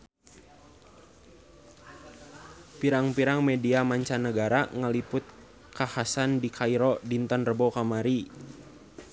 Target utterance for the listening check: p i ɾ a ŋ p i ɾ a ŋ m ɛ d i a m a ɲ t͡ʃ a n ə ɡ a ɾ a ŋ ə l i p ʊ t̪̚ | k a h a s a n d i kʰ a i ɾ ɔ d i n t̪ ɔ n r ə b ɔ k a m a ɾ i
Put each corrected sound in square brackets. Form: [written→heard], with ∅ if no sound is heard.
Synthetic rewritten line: p i ɾ a ŋ p i ɾ a ŋ m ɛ d i a m a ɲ t͡ʃ a n ə ɡ a ɾ a ŋ ə l i p ʊ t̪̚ | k a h a s a n d i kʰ a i ɾ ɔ d i n t̪ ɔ n r ə b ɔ k a m a ɾ i